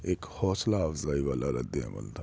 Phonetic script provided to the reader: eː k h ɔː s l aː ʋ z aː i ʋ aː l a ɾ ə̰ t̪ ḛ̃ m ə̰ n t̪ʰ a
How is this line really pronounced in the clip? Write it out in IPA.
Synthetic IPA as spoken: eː k h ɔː s l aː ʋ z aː i ʋ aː l a ɾ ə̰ d̪ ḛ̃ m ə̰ n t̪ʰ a